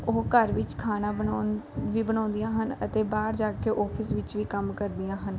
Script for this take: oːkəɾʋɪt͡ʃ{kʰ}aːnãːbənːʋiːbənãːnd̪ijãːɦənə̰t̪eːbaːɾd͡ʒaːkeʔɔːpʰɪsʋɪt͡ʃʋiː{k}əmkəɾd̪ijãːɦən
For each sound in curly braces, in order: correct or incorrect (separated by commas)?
correct, correct